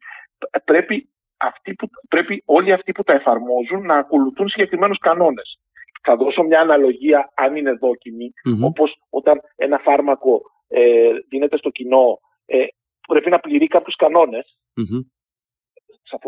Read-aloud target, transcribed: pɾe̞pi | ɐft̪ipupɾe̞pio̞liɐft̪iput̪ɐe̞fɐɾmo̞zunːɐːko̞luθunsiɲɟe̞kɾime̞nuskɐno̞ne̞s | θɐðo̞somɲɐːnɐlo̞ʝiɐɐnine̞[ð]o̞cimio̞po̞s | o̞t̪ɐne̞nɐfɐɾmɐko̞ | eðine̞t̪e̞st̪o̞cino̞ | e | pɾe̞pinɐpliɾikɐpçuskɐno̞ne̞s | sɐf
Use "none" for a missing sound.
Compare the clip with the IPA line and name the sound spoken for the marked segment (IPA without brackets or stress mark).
ð